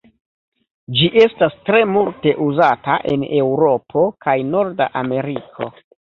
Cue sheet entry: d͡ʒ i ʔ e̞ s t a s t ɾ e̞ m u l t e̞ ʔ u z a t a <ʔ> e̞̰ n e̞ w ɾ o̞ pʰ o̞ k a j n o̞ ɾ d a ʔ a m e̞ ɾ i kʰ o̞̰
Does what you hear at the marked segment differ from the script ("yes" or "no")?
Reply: no